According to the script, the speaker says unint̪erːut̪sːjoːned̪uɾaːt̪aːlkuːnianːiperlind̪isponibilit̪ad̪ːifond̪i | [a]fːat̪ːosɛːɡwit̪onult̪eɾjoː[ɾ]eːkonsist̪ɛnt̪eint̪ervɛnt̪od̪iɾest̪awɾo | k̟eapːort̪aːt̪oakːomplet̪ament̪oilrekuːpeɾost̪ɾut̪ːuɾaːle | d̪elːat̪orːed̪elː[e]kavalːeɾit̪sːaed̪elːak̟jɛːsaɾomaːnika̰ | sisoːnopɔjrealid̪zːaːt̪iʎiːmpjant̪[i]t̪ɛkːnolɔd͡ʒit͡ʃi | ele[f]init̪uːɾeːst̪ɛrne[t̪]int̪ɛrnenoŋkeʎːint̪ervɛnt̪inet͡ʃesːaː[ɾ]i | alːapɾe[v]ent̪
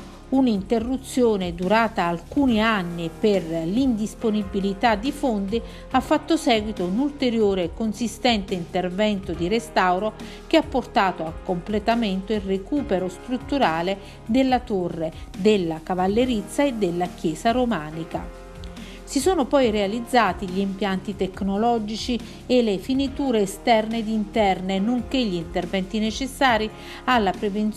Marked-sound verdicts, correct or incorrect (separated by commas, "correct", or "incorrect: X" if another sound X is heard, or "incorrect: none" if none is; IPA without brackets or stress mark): correct, correct, incorrect: a, correct, correct, incorrect: d̪, correct, correct